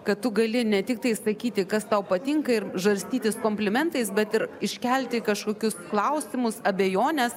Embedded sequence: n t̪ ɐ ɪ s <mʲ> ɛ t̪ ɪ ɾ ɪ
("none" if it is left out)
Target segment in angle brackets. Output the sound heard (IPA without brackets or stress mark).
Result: bʲ